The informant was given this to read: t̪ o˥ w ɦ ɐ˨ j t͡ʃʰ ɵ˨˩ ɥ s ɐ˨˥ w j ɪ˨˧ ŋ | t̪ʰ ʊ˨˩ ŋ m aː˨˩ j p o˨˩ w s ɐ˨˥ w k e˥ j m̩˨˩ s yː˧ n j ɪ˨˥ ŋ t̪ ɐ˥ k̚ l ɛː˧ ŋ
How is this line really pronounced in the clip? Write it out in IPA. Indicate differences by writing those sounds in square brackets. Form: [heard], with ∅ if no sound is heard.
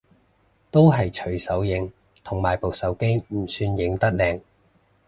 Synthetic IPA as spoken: t̪ o˥ w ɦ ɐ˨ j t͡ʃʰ ɵ˨˩ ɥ s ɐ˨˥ w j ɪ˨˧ ŋ | t̪ʰ ʊ˨˩ ŋ m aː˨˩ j p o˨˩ w s ɐ˨˥ w k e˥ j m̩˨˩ s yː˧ n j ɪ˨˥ ŋ t̪ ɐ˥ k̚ l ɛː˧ ŋ